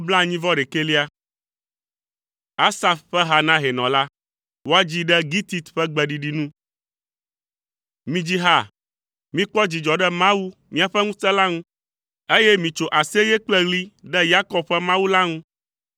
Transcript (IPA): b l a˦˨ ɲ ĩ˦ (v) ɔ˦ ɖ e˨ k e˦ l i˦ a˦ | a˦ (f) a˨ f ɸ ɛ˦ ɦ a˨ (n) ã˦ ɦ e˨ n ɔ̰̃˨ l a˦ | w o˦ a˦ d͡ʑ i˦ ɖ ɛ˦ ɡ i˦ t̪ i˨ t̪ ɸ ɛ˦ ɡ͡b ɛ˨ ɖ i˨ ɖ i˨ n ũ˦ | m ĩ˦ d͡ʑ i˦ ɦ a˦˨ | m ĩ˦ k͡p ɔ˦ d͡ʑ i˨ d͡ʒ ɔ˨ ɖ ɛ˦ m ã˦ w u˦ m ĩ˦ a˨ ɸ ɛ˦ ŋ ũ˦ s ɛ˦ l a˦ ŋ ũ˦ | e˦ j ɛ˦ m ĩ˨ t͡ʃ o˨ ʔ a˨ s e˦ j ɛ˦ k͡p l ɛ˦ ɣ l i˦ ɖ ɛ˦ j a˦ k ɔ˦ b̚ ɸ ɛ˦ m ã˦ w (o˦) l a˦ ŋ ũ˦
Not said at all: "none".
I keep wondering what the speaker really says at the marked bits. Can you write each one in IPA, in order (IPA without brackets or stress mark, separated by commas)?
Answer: v, s, n, u˦